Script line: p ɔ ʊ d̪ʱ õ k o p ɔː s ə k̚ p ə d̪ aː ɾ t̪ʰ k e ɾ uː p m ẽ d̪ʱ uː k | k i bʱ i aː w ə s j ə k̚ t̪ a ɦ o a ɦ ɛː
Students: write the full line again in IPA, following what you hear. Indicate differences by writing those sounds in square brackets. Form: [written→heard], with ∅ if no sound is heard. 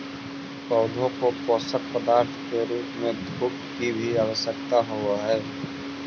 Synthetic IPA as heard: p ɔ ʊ d̪ʱ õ k o p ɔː s ə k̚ p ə d̪ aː ɾ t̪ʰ k e ɾ uː p m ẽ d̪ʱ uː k | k i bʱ i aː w ə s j ə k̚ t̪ a ɦ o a ɦ ɛː